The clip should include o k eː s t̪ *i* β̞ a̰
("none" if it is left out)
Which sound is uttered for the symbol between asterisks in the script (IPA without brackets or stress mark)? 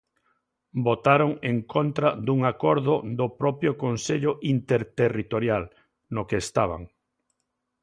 a